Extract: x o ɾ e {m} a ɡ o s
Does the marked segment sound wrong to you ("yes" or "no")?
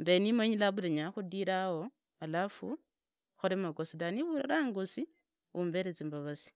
no